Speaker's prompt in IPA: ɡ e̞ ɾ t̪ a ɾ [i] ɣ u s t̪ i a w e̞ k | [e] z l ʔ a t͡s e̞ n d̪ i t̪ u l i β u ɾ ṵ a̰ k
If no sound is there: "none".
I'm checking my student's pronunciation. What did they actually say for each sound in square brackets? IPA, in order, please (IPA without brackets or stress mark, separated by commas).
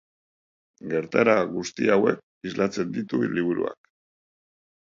a, i